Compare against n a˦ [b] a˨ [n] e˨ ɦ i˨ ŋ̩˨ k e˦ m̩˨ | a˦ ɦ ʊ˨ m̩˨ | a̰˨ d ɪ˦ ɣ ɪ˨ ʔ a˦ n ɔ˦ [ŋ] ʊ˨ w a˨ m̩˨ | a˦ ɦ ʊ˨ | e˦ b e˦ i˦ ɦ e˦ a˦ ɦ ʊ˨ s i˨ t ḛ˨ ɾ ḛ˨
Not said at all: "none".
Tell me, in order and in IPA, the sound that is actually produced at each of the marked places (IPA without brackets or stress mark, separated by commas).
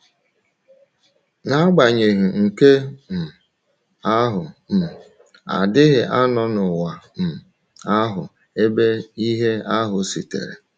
ɡ͡b, ɲ, n